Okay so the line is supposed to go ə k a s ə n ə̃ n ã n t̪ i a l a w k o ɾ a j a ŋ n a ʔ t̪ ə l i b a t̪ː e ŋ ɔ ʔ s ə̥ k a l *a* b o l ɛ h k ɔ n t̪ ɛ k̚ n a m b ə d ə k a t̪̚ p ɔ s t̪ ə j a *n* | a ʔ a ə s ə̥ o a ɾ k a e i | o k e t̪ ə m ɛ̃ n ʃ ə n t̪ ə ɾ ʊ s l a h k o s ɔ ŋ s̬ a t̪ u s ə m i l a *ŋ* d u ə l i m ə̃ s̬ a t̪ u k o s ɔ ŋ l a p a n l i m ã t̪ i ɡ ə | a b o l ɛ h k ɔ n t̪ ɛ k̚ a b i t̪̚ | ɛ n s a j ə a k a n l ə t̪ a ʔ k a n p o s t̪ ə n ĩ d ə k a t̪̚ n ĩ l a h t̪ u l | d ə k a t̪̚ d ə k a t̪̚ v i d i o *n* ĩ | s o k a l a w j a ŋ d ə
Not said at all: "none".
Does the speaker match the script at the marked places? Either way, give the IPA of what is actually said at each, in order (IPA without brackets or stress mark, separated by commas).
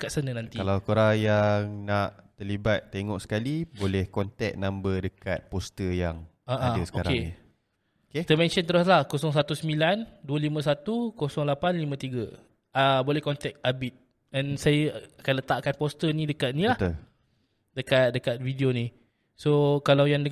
i, ŋ, n, n